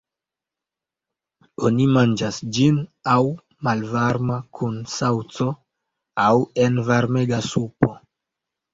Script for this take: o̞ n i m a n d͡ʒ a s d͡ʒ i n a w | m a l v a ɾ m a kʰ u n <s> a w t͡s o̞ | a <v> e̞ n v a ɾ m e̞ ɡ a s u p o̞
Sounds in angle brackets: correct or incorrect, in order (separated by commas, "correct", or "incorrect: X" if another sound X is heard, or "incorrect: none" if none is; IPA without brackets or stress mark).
correct, incorrect: w